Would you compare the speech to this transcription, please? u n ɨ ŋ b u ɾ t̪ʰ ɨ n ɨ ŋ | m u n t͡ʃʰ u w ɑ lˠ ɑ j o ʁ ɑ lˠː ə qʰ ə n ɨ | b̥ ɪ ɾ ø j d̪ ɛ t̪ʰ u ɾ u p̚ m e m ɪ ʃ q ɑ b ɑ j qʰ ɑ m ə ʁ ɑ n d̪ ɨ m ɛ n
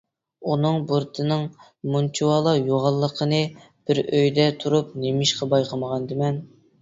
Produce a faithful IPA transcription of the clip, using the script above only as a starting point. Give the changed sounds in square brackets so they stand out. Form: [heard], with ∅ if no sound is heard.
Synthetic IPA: u n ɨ ŋ b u ɾ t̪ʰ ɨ n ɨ ŋ | m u n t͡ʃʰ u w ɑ lˠ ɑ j o ʁ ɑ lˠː ə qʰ ə n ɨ | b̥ ɪ ɾ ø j d̪ ɛ t̪ʰ u ɾ u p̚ [n] e m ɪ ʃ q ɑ b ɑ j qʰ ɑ m ə ʁ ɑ n d̪ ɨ m ɛ n